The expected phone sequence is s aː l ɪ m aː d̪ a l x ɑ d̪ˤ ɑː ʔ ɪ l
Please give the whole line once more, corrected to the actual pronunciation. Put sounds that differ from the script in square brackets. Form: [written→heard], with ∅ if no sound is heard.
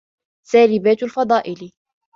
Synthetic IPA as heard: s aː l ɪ [m→b] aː [d̪→t̪] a l [x→f] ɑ d̪ˤ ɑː ʔ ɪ l